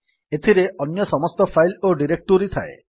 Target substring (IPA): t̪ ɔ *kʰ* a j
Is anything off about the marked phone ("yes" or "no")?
yes